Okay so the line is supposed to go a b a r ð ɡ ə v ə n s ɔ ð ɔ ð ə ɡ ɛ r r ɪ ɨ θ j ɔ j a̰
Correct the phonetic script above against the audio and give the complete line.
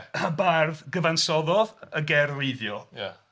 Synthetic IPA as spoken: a b a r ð ɡ ə v a n s ɔ ð ɔ ð ə ɡ ɛ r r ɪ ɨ ð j ɔ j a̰